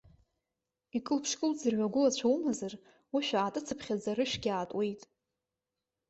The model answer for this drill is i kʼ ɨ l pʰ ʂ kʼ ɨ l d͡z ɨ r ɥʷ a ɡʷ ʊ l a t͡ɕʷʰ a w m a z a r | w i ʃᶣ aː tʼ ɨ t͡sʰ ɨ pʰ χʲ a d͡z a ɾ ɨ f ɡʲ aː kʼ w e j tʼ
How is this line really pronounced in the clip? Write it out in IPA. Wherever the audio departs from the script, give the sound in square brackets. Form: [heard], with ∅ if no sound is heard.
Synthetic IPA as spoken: i kʼ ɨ l pʰ ʂ kʼ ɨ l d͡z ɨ r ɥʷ a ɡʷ ʊ l a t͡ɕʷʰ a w m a z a r | w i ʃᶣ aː tʼ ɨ t͡sʰ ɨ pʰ χʲ a d͡z a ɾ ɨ [ʃ] ɡʲ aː [tʼ] w e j tʼ